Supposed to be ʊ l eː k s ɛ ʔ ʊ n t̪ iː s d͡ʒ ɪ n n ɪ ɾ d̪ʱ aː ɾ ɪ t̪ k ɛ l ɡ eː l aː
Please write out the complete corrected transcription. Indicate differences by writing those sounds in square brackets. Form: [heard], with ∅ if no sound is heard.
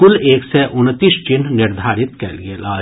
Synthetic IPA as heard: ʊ l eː k s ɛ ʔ ʊ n t̪ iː s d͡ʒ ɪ n n ɪ ɾ d̪ʱ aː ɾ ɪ t̪ k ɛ l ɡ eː l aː